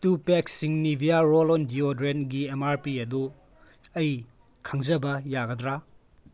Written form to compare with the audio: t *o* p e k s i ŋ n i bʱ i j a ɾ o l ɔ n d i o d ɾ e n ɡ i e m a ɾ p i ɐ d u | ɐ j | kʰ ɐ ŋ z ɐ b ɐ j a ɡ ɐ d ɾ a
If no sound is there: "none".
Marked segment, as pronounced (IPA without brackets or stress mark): u